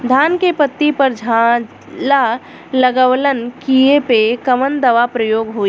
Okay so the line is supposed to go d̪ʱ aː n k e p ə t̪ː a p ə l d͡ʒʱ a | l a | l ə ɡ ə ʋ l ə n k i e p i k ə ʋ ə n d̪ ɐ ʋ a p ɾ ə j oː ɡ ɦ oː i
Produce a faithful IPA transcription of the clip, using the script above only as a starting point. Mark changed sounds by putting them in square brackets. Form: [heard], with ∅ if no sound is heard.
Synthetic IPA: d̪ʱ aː n k e p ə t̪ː [i] p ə [ɾ] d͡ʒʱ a | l a | l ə ɡ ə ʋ l ə n k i e p [e] k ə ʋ ə n d̪ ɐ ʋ a p ɾ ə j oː ɡ ɦ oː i

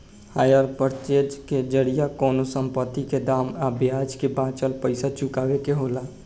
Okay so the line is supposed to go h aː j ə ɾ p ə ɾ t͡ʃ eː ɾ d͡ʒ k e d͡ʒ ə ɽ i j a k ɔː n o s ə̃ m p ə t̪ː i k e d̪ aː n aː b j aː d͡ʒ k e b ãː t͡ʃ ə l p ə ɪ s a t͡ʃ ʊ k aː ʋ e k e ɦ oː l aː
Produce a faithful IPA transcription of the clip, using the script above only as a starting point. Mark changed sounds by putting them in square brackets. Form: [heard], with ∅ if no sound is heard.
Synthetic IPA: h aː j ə ɾ p ə ɾ t͡ʃ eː [∅] d͡ʒ k e d͡ʒ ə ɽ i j a k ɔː n o s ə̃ m p ə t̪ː i k e d̪ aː [m] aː b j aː d͡ʒ k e b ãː t͡ʃ ə l p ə ɪ s a t͡ʃ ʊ k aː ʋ e k e ɦ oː l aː

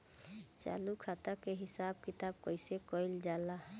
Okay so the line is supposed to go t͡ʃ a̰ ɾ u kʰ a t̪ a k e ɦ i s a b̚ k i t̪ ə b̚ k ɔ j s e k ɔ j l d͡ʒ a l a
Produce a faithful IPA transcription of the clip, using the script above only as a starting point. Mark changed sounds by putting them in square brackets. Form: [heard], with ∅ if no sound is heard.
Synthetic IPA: t͡ʃ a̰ [l] u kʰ a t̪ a k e ɦ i s a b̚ k i t̪ [a] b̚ k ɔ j s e k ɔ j l d͡ʒ a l a

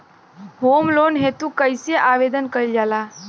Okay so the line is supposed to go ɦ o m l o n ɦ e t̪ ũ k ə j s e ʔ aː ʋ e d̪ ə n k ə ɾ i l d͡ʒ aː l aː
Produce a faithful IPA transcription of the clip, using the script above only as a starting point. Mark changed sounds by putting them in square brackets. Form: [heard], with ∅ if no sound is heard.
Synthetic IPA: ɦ o m l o n ɦ e t̪ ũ k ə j s e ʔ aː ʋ e d̪ ə n k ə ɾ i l d͡ʒ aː l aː

